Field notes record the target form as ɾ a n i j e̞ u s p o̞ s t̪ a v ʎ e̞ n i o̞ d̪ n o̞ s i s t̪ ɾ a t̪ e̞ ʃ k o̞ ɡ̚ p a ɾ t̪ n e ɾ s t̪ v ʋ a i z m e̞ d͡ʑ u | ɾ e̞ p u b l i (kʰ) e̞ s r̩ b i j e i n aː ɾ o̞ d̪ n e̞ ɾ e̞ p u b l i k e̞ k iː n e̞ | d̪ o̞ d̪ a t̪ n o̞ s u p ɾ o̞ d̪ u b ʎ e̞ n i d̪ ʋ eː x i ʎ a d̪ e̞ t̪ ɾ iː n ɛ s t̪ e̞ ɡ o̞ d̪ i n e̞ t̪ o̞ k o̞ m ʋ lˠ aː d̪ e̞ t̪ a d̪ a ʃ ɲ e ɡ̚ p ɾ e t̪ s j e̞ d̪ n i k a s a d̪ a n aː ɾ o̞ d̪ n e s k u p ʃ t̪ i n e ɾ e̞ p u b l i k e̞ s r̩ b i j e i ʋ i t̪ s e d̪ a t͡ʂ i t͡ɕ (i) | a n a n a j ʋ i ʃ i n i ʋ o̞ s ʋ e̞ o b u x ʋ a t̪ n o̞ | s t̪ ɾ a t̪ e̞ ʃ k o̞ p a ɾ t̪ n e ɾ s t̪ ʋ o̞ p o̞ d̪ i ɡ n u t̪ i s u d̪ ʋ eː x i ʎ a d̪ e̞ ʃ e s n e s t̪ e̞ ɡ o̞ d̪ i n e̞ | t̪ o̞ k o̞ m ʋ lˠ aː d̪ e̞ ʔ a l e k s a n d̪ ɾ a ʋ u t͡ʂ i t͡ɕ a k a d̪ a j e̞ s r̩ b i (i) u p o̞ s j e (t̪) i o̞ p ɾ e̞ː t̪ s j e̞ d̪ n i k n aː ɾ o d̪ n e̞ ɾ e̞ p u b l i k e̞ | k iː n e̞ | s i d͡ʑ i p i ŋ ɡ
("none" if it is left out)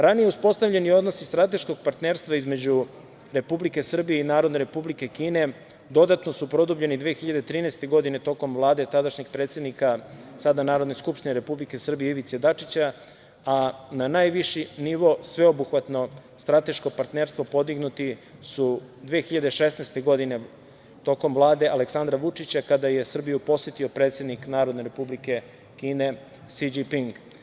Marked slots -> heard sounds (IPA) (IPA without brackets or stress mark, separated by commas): k, a, j, t̪